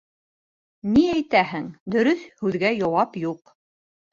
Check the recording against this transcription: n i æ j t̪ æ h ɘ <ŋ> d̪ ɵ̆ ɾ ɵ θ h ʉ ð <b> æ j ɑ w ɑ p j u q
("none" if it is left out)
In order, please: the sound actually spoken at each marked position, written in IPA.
ŋ, ɡ

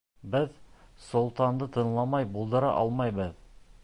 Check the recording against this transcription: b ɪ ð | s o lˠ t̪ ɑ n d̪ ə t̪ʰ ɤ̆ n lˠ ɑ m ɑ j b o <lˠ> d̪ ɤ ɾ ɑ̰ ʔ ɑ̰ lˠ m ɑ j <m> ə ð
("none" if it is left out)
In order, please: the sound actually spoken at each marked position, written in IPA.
lˠ, b

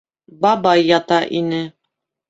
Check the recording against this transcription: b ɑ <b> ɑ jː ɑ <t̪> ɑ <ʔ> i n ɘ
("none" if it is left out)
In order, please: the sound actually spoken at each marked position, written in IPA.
b, t̪, ʔ

